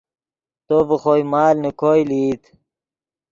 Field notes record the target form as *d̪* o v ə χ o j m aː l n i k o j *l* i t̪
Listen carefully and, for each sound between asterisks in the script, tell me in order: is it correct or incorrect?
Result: incorrect, correct

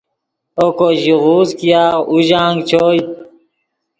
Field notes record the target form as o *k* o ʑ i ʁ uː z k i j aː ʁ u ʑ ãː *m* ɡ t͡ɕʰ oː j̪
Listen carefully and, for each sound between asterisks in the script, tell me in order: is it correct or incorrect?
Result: correct, incorrect

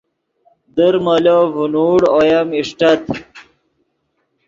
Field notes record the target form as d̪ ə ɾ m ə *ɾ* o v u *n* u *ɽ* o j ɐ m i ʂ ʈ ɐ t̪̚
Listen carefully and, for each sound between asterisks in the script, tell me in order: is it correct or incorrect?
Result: incorrect, correct, correct

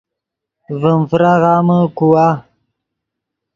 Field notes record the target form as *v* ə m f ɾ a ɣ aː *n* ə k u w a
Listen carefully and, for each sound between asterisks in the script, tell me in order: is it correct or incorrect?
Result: correct, incorrect

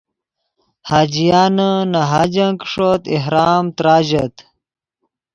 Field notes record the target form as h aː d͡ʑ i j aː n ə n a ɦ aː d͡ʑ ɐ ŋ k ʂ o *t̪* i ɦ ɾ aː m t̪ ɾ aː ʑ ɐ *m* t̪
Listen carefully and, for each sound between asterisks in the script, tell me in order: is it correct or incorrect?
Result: correct, incorrect

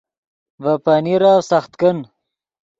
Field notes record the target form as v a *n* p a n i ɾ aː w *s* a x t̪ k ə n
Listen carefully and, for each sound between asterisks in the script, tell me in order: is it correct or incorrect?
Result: incorrect, correct

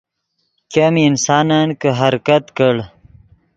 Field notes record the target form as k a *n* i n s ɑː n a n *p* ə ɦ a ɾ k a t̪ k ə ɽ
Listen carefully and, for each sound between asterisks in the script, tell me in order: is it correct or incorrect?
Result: incorrect, incorrect

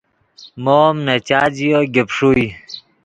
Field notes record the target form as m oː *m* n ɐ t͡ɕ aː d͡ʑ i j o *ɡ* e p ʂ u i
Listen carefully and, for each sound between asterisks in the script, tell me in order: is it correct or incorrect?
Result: correct, correct

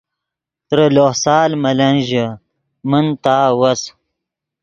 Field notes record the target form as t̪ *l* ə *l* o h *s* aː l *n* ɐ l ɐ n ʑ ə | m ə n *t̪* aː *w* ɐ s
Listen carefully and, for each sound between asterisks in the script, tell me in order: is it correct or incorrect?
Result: incorrect, correct, correct, incorrect, correct, correct

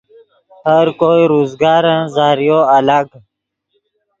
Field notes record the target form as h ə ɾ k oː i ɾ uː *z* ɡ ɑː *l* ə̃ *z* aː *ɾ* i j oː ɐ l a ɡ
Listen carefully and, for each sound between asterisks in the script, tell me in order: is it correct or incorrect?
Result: correct, incorrect, correct, correct

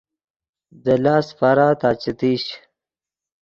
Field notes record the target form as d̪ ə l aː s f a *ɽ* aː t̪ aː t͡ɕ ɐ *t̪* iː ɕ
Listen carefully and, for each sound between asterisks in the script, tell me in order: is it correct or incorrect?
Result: incorrect, correct

